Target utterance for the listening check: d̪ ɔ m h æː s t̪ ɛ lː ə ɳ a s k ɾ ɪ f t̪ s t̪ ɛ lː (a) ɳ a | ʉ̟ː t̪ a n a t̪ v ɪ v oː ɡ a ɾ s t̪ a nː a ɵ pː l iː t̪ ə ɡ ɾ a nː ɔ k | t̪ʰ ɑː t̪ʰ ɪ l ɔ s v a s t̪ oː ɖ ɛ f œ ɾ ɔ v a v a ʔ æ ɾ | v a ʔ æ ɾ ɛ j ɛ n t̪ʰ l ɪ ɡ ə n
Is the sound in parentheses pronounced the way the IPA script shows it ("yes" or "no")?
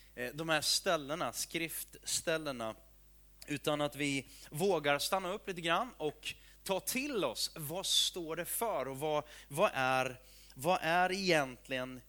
no